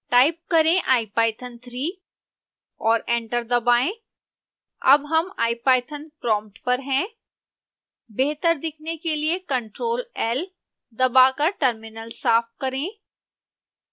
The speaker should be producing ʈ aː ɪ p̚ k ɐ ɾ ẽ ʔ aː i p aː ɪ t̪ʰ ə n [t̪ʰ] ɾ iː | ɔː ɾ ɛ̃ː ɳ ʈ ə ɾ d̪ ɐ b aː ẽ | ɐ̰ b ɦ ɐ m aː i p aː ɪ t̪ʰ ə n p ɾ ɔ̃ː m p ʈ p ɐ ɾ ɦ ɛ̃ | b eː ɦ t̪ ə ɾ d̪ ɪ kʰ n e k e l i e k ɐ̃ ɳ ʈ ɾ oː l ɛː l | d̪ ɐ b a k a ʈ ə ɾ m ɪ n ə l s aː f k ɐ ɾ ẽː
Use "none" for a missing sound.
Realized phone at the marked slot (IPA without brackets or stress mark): t̪ʰ